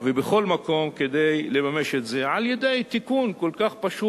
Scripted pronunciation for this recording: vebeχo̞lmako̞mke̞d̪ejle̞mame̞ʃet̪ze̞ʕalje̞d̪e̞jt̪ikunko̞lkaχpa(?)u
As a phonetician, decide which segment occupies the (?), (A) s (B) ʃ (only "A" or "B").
B